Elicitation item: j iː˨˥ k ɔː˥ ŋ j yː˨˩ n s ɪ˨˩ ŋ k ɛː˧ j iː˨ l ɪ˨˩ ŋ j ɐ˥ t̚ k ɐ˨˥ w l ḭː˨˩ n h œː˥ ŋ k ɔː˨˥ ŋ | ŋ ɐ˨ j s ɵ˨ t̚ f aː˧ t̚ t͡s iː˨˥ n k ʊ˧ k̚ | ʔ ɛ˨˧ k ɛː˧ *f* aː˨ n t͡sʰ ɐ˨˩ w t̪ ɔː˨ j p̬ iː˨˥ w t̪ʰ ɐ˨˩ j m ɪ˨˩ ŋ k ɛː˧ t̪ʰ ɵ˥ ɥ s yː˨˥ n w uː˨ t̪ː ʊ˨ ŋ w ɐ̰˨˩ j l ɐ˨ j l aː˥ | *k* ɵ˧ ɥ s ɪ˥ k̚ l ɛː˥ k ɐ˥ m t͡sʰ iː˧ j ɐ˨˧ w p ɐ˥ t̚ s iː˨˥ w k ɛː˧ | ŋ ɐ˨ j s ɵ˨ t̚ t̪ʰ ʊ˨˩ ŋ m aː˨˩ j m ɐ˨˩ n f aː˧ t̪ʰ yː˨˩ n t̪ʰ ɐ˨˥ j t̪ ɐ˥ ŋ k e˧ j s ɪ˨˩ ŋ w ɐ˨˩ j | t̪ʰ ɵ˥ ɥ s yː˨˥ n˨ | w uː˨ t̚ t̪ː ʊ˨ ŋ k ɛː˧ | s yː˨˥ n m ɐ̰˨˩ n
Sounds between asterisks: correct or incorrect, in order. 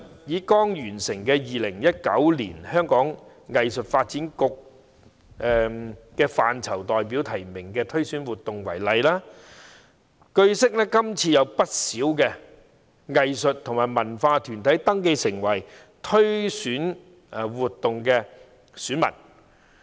correct, correct

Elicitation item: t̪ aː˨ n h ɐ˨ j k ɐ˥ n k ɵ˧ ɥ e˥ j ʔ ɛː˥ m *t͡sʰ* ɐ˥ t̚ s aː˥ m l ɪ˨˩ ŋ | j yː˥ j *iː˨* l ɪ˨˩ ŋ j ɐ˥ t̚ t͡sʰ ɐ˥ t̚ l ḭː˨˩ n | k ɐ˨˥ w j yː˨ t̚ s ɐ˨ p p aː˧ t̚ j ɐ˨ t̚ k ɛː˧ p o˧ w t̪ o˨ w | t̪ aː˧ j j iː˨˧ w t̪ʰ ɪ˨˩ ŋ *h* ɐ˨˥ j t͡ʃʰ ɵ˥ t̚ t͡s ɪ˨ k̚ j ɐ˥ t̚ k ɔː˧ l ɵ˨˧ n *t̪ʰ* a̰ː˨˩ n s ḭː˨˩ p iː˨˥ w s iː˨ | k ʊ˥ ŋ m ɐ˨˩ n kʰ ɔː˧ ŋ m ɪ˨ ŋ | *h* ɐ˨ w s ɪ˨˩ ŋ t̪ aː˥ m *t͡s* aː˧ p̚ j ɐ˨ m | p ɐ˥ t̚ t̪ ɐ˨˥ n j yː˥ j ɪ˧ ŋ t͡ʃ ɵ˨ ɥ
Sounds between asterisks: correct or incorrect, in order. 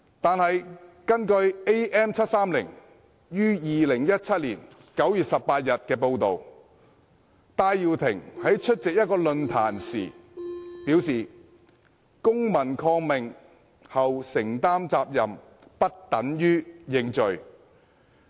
correct, correct, correct, correct, correct, correct

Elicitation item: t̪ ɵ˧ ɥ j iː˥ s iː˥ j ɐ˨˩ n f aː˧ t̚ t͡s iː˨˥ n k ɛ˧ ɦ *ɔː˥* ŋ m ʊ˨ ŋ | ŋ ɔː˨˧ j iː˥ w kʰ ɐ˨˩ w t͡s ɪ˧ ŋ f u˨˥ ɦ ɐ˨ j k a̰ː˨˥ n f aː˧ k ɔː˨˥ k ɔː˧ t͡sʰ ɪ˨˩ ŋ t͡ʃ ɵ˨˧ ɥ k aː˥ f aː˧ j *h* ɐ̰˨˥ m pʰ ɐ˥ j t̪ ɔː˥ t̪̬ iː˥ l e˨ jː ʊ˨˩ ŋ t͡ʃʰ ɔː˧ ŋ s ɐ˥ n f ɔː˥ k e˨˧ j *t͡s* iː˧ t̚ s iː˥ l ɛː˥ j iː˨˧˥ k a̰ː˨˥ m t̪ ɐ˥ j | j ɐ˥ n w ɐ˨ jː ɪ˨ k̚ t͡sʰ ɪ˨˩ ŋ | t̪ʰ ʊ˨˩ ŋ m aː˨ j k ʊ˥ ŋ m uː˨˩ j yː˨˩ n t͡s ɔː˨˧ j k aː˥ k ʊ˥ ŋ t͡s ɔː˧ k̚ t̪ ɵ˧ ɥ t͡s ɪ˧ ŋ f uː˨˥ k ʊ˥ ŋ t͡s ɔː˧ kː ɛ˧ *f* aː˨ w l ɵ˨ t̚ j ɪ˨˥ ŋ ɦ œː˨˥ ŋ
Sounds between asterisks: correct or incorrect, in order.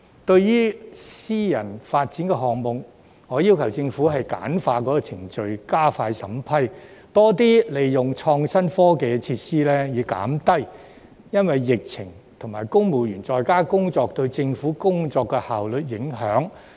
incorrect, incorrect, incorrect, incorrect

